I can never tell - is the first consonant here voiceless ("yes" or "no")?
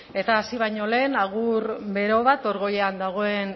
yes